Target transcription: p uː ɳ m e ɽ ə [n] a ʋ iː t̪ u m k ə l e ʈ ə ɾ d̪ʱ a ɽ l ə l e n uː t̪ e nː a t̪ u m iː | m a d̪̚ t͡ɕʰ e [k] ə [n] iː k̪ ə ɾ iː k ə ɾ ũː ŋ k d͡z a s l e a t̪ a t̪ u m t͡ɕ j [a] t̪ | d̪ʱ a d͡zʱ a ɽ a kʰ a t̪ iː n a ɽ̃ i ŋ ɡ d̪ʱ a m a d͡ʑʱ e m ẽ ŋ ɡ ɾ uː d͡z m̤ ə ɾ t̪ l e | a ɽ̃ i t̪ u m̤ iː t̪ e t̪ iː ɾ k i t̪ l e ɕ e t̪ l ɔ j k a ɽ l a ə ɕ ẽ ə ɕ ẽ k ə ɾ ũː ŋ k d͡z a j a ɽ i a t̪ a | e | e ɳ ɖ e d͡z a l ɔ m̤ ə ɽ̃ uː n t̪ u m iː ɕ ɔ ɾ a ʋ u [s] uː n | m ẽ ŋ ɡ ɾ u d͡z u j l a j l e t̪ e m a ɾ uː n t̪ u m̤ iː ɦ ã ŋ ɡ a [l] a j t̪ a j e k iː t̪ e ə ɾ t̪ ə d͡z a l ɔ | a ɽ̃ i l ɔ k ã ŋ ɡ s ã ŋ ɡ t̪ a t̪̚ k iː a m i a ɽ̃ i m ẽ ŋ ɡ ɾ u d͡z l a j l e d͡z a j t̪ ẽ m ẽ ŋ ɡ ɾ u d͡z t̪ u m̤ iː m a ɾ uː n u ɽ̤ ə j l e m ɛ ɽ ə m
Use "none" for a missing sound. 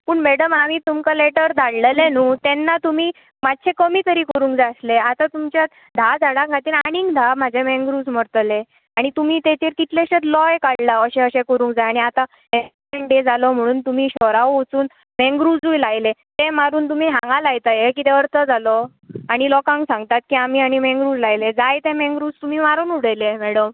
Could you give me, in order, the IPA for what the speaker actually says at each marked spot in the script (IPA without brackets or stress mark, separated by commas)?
m, k, m, a, t͡s, l